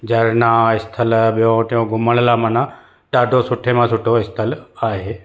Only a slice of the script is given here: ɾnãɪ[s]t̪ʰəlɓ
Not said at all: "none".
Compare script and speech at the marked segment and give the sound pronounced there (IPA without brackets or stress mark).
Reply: s